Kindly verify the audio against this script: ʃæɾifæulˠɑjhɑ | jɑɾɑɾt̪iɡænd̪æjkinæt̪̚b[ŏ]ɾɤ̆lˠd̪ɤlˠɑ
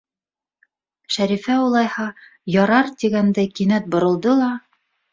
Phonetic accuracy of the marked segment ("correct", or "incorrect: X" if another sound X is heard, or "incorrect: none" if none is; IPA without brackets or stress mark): correct